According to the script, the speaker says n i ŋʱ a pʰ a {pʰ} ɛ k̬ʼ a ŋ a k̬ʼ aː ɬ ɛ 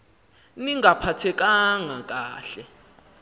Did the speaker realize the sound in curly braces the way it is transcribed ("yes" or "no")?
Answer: no